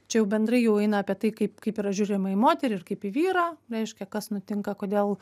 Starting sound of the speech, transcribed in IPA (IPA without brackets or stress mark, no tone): t͡ʃʲ